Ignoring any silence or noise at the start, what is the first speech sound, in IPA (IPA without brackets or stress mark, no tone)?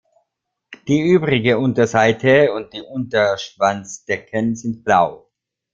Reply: d̥